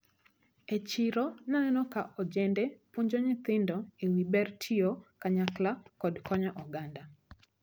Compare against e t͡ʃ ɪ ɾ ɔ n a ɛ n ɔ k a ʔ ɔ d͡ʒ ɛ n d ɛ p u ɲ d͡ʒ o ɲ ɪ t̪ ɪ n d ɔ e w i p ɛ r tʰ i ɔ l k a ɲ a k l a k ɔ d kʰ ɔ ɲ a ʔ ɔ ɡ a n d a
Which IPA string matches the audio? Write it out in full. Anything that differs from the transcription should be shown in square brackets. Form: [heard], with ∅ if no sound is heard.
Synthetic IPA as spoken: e t͡ʃ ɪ ɾ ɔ n a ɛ n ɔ k a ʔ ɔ d͡ʒ ɛ n d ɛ p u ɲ d͡ʒ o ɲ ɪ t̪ ɪ n d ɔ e w i [b] ɛ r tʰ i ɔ [∅] k a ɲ a k l a k ɔ d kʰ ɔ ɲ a ʔ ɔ ɡ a n d a